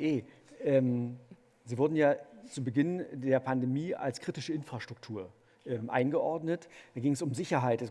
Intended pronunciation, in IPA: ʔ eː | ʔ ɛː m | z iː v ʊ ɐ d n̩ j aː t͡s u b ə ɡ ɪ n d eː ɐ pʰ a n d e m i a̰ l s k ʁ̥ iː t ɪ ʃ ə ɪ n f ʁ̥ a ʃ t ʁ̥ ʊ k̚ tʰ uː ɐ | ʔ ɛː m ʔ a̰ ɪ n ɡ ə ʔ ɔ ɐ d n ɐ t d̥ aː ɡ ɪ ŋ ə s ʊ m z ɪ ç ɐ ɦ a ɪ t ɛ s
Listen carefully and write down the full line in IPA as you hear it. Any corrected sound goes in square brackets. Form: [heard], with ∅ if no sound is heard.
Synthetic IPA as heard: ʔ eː | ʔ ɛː m | z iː v ʊ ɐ d n̩ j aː t͡s u b ə ɡ ɪ n d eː ɐ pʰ a n d e m [iː] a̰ l s k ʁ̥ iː t ɪ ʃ ə ɪ n f ʁ̥ a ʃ t ʁ̥ ʊ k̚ tʰ uː ɐ | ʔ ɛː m ʔ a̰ ɪ n ɡ ə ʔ ɔ ɐ d n [ə] t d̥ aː ɡ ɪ ŋ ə s ʊ m z ɪ ç ɐ ɦ a ɪ t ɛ s